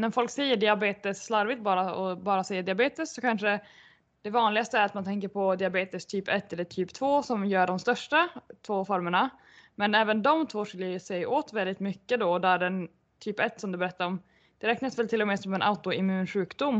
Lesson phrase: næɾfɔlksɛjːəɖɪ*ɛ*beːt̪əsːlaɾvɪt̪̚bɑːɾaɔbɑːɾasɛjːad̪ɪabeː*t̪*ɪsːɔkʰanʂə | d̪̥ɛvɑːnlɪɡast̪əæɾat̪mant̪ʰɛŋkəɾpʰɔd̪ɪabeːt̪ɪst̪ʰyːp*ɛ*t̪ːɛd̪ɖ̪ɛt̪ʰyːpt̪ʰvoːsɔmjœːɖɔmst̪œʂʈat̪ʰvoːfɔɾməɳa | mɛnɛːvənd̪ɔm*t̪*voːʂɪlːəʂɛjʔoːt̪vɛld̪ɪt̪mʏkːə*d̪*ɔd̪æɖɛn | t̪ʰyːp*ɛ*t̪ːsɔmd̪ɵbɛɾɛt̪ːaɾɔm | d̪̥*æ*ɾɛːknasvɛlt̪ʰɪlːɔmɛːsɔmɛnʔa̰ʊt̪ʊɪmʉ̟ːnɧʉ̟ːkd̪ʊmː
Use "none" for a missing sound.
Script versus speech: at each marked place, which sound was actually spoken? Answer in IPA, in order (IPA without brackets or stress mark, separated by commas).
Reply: a, t̪, ɛ, t̪ʰ, d̪, ɛ, ɛ